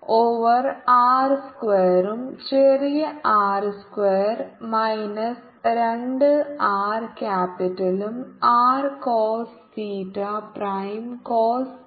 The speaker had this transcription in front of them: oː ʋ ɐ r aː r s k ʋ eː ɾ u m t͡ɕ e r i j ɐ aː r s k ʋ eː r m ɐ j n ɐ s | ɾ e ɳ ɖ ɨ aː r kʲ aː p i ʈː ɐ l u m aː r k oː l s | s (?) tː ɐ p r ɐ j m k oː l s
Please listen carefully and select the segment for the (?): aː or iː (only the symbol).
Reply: iː